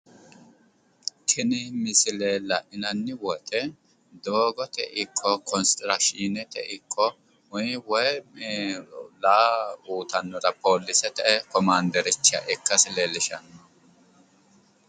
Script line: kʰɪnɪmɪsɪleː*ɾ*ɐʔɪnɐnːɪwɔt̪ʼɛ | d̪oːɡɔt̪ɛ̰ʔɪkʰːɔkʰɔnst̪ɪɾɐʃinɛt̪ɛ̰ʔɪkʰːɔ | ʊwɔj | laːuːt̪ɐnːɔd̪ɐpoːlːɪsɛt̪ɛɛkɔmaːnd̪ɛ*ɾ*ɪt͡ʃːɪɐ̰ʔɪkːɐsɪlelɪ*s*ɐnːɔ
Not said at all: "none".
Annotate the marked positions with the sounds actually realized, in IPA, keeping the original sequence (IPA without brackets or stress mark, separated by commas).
l, ɾ, ʃ